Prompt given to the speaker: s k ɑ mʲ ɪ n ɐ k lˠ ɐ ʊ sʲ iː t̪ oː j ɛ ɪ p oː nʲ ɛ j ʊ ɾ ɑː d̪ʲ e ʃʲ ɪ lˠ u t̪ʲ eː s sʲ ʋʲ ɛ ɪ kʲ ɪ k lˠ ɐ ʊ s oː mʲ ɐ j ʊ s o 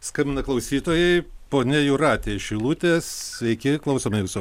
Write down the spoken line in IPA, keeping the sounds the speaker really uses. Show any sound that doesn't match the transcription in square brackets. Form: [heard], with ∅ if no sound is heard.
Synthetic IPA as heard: s k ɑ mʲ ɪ n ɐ k lˠ ɐ ʊ sʲ iː t̪ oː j ɛ ɪ p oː nʲ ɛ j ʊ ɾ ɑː [t̪ʲ] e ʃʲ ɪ lˠ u t̪ʲ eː s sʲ ʋʲ ɛ ɪ kʲ ɪ k lˠ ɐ ʊ s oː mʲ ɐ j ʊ s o